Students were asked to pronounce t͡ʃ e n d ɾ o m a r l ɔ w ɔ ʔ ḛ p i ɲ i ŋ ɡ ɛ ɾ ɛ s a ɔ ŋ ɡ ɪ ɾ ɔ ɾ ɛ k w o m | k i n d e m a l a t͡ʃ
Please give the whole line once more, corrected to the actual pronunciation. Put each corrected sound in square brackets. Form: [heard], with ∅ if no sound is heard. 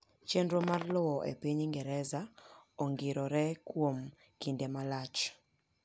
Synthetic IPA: t͡ʃ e n d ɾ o m a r l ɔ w ɔ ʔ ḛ p i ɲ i ŋ ɡ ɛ ɾ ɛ [z] a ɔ ŋ ɡ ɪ ɾ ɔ ɾ ɛ k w o m | k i n d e m a l a t͡ʃ